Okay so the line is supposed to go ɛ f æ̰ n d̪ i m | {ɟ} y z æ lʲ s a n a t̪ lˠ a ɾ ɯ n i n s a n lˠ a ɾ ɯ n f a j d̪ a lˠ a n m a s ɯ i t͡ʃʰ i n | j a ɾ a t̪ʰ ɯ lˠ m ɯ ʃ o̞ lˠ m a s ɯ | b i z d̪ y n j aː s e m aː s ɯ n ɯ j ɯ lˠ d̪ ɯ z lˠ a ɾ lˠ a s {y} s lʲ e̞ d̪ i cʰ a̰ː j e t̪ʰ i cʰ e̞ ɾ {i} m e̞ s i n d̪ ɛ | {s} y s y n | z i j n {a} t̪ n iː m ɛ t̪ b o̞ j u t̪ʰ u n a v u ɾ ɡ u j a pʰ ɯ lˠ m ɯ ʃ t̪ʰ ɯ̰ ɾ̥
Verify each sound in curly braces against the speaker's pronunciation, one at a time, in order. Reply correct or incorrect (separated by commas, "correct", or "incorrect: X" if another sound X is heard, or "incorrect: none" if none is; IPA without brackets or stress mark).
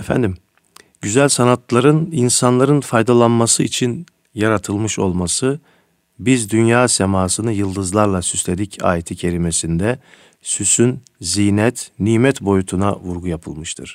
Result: correct, correct, correct, correct, incorrect: ɛ